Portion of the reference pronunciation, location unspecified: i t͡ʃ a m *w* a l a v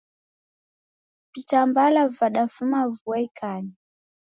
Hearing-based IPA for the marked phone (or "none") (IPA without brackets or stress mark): b